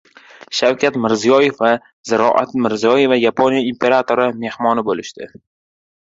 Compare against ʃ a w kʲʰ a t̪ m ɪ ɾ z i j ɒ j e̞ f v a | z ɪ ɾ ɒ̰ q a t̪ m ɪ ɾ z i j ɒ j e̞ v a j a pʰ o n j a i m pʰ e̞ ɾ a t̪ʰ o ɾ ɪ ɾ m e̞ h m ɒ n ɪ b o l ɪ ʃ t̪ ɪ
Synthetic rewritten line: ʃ a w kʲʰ a t̪ m ɪ ɾ z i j ɒ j e̞ f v a | z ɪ ɾ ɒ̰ ʔ a t̪ m ɪ ɾ z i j ɒ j e̞ v a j a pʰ o n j a i m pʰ e̞ ɾ a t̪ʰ o ɾ ɪ m e̞ h m ɒ n ɪ b o l ɪ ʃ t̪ ɪ